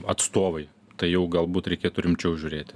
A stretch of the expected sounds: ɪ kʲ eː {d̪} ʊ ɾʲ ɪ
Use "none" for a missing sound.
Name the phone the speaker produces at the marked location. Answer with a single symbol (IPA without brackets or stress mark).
t̪